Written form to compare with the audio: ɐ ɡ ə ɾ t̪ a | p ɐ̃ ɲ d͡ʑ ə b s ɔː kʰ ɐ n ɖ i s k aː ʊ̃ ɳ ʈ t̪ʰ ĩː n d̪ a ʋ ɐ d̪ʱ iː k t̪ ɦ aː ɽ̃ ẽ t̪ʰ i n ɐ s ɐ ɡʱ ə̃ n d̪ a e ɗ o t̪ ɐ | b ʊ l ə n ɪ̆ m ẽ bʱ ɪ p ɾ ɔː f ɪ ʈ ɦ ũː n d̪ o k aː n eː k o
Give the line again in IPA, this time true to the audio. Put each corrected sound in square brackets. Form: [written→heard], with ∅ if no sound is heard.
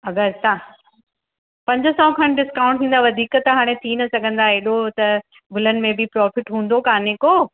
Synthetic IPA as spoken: ɐ ɡ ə ɾ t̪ a | p ɐ̃ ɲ d͡ʑ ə [b→∅] s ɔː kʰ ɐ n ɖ [i→ɪ] s k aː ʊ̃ ɳ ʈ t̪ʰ ĩː n d̪ a ʋ ɐ d̪ʱ iː k t̪ ɦ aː ɽ̃ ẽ t̪ʰ i n ɐ s ɐ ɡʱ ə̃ n d̪ a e ɗ o t̪ ɐ | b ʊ l ə n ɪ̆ m ẽ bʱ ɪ p ɾ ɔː f ɪ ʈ ɦ ũː n d̪ o k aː n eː k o